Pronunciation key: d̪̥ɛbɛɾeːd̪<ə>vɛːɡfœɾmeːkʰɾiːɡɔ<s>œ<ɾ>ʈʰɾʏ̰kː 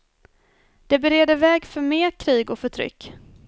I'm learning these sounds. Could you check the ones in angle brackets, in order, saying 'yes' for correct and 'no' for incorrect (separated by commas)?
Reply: yes, no, no